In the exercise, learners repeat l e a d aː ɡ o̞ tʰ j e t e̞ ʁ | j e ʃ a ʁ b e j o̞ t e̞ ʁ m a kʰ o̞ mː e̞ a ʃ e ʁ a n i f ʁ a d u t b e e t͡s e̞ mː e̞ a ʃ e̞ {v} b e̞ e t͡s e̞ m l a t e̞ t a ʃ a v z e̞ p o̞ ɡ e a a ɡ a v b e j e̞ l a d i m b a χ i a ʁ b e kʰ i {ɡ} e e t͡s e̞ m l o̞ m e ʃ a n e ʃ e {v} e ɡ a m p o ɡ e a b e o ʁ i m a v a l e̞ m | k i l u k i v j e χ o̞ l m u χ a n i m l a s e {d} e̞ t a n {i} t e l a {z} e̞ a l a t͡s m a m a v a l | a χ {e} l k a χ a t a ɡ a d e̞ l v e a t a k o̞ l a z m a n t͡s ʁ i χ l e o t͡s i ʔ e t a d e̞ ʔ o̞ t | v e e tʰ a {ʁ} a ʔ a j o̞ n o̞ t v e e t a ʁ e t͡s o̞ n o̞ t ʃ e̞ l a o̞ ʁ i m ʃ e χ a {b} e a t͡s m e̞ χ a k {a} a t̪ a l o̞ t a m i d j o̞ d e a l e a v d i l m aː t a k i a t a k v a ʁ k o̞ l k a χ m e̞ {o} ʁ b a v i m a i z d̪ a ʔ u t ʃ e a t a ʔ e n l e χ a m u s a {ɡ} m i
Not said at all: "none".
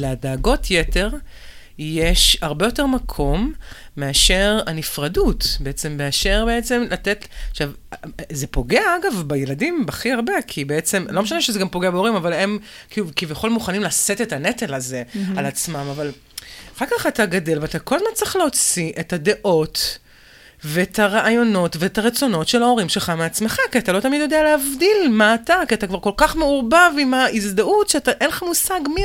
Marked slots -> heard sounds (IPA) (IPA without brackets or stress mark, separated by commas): ʁ, b, z, t, e, z, a, ʁ, m, i, u, ɡ